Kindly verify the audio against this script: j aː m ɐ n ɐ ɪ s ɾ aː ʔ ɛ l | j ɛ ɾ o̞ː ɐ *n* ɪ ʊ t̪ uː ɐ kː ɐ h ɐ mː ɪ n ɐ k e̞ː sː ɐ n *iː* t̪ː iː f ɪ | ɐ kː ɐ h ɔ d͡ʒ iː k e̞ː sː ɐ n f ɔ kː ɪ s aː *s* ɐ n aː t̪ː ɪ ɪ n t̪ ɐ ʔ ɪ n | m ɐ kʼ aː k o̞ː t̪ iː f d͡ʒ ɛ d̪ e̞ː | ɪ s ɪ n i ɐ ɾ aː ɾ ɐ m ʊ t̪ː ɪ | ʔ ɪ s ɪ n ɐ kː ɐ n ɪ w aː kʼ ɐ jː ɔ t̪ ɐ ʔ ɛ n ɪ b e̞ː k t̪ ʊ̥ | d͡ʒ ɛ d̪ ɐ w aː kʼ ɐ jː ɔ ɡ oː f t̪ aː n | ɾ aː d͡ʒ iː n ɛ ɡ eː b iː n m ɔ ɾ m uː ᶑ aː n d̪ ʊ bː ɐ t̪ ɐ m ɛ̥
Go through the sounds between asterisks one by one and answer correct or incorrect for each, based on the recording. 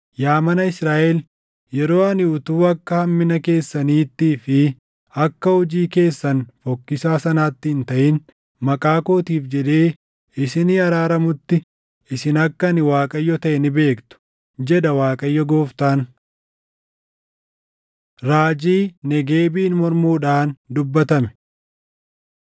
correct, correct, correct

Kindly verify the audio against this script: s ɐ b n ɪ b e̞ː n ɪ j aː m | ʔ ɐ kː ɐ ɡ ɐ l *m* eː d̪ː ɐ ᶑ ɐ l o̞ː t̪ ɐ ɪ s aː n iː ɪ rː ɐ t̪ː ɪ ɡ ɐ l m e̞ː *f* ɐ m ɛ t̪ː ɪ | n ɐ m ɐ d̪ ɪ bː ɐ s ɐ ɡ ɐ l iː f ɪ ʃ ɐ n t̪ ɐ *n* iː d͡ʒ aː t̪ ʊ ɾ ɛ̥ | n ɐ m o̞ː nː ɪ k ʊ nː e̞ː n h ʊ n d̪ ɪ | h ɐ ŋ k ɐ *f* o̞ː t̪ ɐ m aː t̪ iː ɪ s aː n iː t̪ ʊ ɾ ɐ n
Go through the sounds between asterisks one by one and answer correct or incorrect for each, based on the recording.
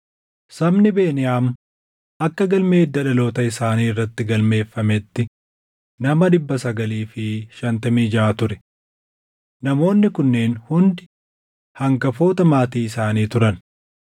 correct, incorrect, incorrect, correct

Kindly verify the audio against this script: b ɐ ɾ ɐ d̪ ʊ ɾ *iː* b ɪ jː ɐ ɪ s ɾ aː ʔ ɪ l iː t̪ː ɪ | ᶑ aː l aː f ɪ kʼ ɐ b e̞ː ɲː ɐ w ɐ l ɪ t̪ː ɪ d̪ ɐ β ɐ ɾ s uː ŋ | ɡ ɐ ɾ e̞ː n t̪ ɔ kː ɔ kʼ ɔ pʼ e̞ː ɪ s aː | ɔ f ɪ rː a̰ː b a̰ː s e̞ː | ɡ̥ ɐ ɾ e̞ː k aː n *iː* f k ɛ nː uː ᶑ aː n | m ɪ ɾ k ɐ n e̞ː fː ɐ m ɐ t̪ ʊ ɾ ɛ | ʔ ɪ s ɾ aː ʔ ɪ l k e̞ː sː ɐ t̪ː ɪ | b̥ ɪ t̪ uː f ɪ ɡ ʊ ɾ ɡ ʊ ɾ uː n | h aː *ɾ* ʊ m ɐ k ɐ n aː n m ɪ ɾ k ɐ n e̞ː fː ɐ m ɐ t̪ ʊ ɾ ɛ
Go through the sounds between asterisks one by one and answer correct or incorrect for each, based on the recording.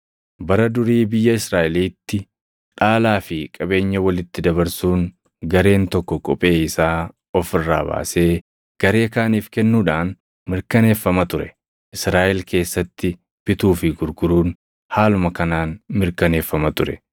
correct, correct, incorrect

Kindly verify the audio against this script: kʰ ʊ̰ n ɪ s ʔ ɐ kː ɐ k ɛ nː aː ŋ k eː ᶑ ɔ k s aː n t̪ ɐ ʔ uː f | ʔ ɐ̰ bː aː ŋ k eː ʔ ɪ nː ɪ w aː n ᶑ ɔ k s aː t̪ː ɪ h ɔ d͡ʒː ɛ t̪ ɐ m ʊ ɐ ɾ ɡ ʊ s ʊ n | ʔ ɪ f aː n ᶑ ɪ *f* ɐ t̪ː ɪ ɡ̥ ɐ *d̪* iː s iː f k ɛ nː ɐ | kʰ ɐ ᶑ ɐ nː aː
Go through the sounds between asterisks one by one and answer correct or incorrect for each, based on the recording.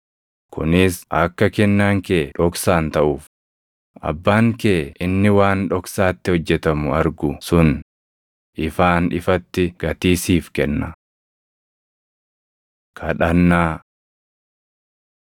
correct, incorrect

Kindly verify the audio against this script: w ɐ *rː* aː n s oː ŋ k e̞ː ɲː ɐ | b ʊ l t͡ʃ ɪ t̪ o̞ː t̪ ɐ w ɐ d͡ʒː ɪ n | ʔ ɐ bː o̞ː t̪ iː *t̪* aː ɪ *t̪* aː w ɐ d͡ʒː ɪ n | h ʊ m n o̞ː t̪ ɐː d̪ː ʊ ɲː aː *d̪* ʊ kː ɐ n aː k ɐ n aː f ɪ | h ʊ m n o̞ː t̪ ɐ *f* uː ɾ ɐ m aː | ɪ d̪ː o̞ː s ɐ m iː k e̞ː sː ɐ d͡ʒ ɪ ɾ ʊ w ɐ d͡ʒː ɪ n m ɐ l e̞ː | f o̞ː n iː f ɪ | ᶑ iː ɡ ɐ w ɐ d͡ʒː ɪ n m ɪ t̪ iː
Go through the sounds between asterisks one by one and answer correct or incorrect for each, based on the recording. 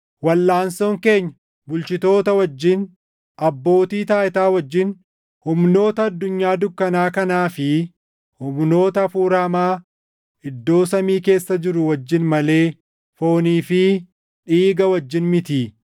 incorrect, correct, correct, correct, correct

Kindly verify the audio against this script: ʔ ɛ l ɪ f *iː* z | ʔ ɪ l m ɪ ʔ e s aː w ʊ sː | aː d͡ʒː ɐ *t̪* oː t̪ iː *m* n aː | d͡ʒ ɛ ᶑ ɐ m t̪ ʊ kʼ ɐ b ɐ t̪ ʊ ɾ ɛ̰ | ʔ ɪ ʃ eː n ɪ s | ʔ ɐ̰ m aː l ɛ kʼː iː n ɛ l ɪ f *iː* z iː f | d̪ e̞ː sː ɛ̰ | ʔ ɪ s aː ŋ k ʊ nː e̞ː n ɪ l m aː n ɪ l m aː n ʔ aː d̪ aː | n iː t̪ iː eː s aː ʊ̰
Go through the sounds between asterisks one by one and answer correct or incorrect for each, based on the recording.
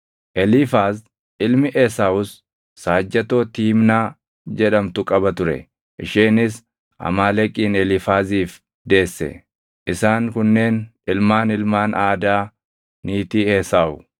incorrect, correct, correct, incorrect

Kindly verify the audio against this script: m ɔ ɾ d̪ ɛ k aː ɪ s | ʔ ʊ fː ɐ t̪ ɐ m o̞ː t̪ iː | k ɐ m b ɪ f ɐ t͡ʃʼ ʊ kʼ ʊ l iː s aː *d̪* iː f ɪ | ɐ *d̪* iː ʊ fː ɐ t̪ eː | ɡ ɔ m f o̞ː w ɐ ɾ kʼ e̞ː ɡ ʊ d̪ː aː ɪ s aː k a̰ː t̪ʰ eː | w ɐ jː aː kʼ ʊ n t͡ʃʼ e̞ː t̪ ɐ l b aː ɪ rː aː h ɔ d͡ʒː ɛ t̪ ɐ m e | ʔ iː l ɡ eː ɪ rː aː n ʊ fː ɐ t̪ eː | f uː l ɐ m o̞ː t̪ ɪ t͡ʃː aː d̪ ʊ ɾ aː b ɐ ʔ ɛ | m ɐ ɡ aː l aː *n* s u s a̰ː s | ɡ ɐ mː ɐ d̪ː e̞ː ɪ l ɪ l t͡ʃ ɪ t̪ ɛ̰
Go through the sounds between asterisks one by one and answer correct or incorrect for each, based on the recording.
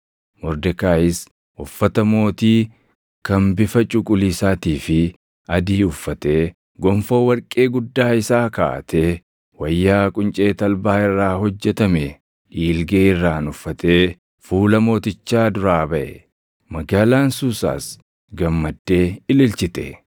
incorrect, correct, correct

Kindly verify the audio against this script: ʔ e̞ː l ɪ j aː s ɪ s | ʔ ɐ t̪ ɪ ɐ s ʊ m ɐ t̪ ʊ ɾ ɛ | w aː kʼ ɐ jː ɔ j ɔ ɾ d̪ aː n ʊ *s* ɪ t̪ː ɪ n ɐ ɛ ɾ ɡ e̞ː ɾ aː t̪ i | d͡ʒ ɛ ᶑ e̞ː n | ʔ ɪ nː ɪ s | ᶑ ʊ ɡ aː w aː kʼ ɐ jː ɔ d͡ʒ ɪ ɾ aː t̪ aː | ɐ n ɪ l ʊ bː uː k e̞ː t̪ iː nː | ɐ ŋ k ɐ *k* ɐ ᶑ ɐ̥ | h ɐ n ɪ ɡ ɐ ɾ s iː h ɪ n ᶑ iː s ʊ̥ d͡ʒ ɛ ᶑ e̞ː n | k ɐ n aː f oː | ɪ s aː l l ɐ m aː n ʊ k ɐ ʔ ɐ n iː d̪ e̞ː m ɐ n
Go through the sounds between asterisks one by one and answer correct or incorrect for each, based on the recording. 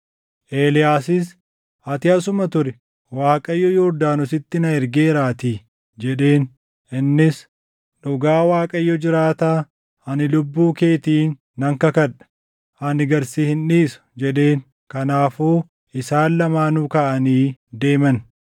correct, correct

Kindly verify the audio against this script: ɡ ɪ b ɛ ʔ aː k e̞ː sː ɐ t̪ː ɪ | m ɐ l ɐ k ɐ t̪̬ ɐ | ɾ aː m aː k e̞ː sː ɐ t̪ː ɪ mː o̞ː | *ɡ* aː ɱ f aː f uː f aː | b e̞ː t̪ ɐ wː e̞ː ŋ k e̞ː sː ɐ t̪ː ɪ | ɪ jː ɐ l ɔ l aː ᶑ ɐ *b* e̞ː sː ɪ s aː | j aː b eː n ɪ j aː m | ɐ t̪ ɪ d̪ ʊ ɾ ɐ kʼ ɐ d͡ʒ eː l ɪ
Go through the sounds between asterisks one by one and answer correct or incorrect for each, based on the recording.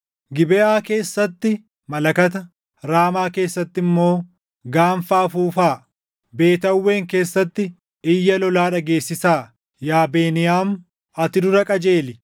correct, incorrect

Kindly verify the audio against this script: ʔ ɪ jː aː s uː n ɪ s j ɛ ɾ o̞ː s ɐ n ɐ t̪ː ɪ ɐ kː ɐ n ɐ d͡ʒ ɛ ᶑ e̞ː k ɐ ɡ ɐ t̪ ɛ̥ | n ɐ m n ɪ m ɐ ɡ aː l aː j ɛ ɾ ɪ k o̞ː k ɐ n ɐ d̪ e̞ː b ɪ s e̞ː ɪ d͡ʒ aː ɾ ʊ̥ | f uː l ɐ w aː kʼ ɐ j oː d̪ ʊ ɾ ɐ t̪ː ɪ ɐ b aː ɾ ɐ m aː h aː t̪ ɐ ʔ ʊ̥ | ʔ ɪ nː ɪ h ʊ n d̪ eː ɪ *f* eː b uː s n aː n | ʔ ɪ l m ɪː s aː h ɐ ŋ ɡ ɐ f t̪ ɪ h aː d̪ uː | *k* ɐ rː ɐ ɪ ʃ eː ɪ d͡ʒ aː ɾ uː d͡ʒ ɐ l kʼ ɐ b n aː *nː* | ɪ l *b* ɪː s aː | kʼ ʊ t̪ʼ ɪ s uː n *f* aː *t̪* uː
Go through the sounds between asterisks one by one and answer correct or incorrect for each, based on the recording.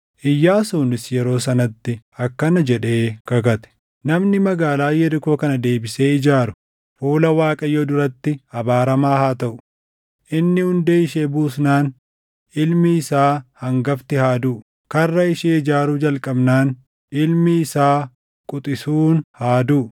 incorrect, correct, incorrect, incorrect, incorrect, incorrect

